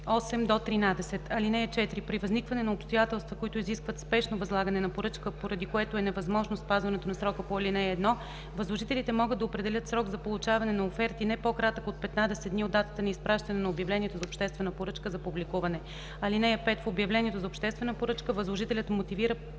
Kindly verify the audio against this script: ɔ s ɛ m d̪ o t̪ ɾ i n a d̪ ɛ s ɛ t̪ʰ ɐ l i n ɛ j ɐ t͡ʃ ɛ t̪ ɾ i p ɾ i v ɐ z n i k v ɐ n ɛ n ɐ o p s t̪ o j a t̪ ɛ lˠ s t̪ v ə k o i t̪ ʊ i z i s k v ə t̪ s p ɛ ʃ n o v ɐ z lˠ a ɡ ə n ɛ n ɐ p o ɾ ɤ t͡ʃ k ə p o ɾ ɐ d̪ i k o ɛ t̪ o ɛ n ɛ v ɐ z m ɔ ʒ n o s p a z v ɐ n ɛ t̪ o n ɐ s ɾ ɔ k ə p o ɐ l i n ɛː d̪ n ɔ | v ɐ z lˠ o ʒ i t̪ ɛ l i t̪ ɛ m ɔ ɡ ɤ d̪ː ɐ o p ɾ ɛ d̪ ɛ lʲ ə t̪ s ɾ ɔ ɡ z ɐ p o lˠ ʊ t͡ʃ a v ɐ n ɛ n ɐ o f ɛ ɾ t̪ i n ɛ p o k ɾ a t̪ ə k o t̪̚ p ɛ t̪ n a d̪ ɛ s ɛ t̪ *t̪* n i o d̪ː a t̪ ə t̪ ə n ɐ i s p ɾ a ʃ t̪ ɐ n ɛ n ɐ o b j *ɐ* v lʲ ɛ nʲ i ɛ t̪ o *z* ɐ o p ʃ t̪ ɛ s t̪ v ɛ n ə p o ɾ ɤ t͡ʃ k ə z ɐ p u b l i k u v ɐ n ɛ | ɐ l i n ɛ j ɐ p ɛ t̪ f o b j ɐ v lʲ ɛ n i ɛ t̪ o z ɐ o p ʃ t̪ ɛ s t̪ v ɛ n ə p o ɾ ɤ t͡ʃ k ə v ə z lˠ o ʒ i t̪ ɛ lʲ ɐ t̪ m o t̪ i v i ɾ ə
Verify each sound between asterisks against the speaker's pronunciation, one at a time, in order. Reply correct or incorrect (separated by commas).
incorrect, correct, correct